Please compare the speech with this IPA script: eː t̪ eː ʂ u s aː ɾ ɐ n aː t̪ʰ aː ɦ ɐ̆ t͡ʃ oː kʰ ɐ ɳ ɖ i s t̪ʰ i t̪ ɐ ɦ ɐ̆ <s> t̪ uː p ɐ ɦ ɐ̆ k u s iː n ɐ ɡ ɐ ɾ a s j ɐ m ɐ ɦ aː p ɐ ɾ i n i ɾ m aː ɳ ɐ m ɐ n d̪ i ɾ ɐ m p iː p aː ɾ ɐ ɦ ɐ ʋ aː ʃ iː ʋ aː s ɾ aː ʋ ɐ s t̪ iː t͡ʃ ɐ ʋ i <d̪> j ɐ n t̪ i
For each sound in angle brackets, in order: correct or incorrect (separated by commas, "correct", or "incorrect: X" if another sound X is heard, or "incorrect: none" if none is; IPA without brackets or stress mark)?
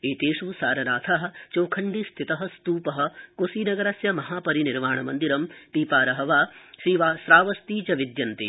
correct, correct